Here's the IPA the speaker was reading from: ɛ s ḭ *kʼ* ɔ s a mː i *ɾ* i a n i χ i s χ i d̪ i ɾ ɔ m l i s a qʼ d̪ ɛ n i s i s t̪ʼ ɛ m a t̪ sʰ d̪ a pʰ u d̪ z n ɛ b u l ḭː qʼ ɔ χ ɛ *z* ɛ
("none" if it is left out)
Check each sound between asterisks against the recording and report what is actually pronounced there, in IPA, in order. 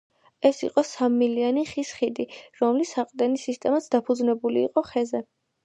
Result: qʼ, l, z

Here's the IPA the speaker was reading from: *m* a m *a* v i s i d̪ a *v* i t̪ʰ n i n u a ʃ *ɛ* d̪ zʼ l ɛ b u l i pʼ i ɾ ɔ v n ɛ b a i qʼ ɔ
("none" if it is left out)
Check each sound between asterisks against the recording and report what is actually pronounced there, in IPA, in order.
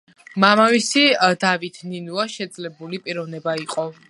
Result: m, a, v, ɛ

